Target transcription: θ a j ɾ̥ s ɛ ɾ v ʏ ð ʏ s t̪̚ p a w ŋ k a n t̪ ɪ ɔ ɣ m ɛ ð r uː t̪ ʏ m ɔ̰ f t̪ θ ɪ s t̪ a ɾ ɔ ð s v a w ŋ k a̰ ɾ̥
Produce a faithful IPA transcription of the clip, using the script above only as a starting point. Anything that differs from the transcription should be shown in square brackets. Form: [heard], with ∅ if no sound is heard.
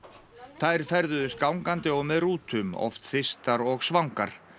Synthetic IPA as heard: θ a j ɾ̥ [f] ɛ ɾ [ð] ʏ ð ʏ s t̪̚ [k] a w ŋ k a n t̪ ɪ ɔ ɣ m ɛ ð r uː t̪ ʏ m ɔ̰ f t̪ θ ɪ s t̪ a ɾ ɔ [ɣ] s v a w ŋ k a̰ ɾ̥